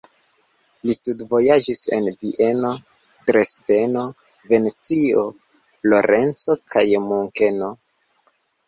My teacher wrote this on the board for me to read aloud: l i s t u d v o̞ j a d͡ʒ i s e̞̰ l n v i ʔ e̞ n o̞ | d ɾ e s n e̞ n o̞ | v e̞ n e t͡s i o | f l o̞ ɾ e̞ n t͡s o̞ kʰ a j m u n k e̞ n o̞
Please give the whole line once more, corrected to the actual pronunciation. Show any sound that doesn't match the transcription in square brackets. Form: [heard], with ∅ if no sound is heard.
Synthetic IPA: l i s t u d v o̞ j a d͡ʒ i s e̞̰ [∅] n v i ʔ e̞ n o̞ | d ɾ e s [d] e̞ n o̞ | v e̞ n e t͡s i o | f l o̞ ɾ e̞ n t͡s o̞ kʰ a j m u [ŋ] k e̞ n o̞